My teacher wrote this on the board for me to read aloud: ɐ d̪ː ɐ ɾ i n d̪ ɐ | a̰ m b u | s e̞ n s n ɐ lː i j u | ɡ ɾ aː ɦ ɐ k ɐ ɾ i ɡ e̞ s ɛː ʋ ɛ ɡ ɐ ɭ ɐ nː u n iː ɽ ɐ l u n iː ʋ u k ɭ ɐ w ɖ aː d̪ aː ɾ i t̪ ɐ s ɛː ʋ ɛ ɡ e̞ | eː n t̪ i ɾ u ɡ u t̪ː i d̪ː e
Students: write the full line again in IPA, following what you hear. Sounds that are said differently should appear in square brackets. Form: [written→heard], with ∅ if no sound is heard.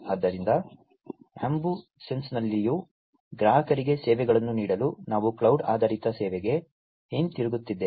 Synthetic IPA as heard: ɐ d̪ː ɐ ɾ i n d̪ ɐ | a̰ m b u | s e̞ n s n ɐ lː i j u | ɡ ɾ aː ɦ ɐ k ɐ ɾ i ɡ e̞ s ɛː ʋ ɛ ɡ ɐ ɭ ɐ nː u n iː ɽ ɐ l u n [iː→aː] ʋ u k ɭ ɐ w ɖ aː d̪ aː ɾ i t̪ ɐ s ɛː ʋ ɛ ɡ e̞ | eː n t̪ i ɾ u ɡ u t̪ː i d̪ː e

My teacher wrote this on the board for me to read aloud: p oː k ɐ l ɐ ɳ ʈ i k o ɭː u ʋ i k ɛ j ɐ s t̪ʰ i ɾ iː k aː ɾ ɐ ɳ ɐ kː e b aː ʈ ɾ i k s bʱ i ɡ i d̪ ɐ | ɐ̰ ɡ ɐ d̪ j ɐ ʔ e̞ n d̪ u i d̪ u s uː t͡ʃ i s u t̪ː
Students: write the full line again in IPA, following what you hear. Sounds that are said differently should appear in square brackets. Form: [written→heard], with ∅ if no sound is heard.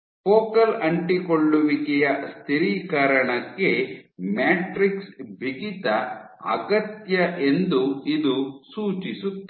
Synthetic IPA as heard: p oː k ɐ l ɐ ɳ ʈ i k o ɭː u ʋ i k ɛ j ɐ s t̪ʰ i ɾ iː k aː ɾ ɐ ɳ ɐ kː e [b→m] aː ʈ ɾ i k s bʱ i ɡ i [d̪→t̪] ɐ | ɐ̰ ɡ ɐ [d̪→t̪] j ɐ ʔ e̞ n d̪ u i d̪ u s uː t͡ʃ i s u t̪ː

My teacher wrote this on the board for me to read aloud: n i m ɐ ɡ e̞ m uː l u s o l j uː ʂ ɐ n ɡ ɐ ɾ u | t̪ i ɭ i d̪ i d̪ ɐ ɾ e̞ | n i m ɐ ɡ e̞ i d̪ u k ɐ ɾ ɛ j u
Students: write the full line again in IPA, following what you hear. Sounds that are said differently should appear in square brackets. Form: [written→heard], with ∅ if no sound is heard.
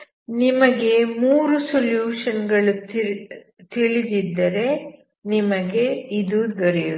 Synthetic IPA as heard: n i m ɐ ɡ e̞ m uː [l→ɾ] u s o l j uː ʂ ɐ n ɡ ɐ [ɾ→ɭ] u | t̪ i ɭ i d̪ i [d̪→d̪ː] ɐ ɾ e̞ | n i m ɐ ɡ e̞ i d̪ u [k→ɡ] ɐ ɾ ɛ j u

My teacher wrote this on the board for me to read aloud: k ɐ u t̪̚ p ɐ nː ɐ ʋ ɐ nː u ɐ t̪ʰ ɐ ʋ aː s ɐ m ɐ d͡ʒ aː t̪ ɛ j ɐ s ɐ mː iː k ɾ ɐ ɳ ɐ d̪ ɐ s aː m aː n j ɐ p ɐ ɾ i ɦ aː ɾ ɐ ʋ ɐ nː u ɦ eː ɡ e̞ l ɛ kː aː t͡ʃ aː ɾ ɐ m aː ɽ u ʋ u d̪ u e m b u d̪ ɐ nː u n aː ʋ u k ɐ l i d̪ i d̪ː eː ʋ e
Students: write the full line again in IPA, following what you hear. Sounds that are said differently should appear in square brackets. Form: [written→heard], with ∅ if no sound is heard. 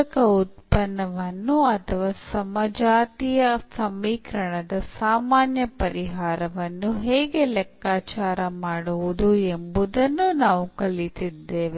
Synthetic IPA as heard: k ɐ u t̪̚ p ɐ nː ɐ ʋ ɐ nː u ɐ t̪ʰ ɐ ʋ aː s ɐ m ɐ d͡ʒ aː t̪ [ɛ→i] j ɐ s ɐ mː iː k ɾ ɐ ɳ ɐ d̪ ɐ s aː m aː n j ɐ p ɐ ɾ i ɦ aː ɾ ɐ ʋ ɐ nː u ɦ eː ɡ e̞ l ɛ kː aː t͡ʃ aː ɾ ɐ m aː ɽ u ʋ u d̪ u e m b u d̪ ɐ nː u n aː ʋ u k ɐ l i [d̪→t̪] i d̪ː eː ʋ e

